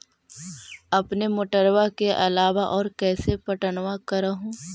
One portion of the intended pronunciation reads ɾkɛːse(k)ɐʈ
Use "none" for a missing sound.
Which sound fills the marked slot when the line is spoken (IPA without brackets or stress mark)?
p